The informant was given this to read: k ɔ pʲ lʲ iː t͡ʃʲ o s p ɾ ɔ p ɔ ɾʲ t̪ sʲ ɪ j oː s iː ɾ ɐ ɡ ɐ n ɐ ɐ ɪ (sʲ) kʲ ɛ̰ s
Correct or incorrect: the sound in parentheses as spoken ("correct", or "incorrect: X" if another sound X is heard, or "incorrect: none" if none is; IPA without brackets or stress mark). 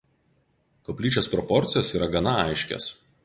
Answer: incorrect: ʃʲ